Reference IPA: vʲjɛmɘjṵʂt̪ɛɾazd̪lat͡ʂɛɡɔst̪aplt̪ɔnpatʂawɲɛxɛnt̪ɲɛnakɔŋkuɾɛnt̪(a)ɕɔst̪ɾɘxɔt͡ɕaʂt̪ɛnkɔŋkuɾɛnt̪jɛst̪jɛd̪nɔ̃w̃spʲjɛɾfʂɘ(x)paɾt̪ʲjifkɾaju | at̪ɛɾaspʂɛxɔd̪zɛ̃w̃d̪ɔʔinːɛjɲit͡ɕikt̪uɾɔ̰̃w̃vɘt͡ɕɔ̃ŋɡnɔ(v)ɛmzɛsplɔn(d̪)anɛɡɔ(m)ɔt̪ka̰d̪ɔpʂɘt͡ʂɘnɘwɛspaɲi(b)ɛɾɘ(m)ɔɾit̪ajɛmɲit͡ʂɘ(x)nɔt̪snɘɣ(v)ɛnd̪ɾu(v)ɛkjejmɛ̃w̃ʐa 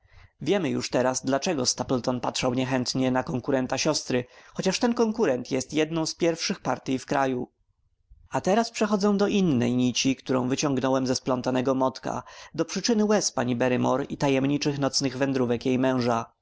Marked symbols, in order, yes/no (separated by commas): yes, yes, no, no, yes, yes, yes, yes, yes, yes